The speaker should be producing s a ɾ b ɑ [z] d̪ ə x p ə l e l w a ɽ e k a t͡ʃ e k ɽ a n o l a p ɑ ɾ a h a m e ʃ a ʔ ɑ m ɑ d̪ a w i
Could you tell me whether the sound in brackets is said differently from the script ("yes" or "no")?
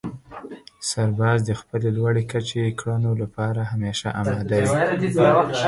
no